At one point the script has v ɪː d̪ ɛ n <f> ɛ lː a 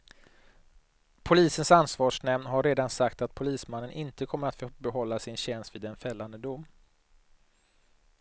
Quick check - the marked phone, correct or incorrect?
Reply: correct